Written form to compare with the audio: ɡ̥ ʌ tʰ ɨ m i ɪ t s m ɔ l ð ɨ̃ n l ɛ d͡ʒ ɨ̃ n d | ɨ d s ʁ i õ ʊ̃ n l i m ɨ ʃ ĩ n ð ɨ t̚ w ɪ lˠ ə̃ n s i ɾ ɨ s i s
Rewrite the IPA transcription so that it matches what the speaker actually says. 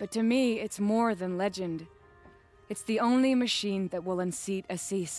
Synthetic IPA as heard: b̥ ʌ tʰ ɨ m i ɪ t s m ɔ ɹ ð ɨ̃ n l ɛ d͡ʒ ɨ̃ n d | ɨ t s ð i õ ʊ̃ n l i m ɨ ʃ ĩ n ð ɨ t̚ w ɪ lˠ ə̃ n s i ɾ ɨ s i s